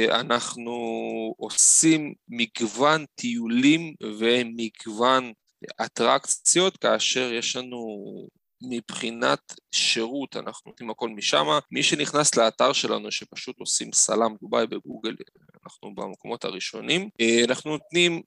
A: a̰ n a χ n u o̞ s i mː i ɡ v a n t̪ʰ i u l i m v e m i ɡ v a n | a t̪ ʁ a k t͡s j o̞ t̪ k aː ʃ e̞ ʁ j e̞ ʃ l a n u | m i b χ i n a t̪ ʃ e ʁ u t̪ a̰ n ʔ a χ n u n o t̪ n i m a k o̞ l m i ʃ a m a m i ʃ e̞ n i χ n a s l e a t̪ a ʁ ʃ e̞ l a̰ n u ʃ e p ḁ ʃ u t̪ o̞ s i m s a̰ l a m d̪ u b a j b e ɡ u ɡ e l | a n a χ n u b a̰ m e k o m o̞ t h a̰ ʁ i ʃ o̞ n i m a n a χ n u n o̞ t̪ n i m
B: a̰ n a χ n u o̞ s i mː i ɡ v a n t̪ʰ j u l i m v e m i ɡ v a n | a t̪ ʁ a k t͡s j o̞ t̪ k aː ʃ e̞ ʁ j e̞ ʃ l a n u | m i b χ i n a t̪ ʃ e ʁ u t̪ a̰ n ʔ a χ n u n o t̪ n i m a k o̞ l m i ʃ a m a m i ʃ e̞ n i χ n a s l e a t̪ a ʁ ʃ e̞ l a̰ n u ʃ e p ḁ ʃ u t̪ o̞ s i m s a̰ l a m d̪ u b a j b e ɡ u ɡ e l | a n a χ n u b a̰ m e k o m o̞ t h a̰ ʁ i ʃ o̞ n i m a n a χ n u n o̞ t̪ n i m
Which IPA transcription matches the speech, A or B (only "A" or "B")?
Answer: A